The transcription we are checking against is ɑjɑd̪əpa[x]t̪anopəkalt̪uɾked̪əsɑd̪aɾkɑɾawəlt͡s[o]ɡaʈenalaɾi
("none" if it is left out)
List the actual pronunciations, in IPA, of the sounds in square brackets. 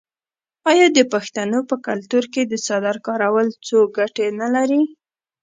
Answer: x, o

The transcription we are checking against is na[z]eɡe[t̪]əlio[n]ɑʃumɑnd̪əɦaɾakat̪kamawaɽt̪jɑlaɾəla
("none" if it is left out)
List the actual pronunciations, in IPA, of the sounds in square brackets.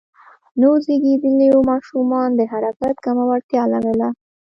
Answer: z, d̪, m

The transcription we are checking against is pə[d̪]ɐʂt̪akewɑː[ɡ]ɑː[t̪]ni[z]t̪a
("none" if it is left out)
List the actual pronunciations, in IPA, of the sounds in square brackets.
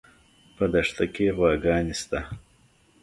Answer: d̪, ɡ, none, s

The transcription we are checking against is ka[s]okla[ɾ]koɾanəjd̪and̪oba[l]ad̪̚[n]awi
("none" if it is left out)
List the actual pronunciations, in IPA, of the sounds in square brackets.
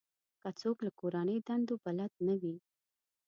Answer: t͡s, none, l, n

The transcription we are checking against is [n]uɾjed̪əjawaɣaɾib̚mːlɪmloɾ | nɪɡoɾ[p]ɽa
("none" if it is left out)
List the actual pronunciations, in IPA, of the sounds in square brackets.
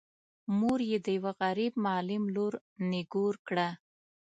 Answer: m, k

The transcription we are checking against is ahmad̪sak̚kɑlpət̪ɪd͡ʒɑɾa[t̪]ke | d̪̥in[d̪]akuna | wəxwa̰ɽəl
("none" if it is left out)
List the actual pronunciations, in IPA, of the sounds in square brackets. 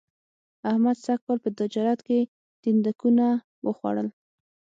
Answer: t̪, d̪

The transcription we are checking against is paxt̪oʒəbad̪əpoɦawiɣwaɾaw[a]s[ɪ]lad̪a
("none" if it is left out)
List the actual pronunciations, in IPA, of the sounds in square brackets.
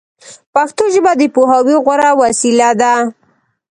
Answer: a, i

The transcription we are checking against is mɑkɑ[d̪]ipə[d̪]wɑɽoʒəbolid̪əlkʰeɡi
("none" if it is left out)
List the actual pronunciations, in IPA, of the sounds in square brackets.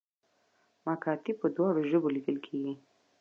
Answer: t̪, d̪

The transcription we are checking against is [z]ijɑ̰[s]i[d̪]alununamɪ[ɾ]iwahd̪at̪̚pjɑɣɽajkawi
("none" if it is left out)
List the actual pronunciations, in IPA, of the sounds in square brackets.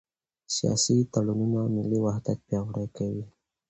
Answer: s, s, t̪, l

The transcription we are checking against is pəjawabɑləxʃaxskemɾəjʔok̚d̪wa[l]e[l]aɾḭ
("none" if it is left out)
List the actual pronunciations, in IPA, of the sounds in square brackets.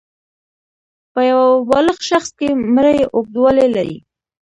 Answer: l, l

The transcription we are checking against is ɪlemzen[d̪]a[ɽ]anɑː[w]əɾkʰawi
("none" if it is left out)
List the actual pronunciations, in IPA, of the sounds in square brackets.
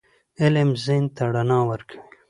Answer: t̪, ɽ, w

